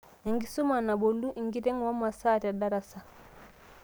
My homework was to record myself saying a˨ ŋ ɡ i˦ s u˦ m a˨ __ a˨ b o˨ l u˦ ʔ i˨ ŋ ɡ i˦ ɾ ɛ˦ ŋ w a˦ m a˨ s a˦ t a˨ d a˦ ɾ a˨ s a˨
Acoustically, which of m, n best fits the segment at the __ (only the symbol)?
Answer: n